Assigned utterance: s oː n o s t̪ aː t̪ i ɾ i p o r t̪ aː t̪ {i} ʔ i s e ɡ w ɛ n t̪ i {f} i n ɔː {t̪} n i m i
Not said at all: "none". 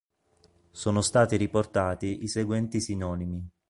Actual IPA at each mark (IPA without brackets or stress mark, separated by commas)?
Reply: i, s, none